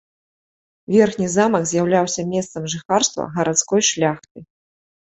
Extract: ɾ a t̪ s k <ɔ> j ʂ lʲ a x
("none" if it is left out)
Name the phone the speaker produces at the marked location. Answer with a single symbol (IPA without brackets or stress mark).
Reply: ɔ